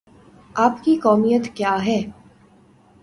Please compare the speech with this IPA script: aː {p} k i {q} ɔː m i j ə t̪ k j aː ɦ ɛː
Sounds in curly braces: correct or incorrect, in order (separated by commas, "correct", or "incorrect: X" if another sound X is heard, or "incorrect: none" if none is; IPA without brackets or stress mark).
correct, incorrect: k